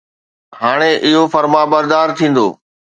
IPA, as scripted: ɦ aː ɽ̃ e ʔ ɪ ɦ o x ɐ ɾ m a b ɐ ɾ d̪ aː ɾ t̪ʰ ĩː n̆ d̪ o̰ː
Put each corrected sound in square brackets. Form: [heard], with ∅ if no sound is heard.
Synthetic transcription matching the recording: ɦ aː ɽ̃ e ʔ ɪ ɦ o [f] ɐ ɾ m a b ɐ ɾ d̪ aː ɾ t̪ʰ ĩː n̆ d̪ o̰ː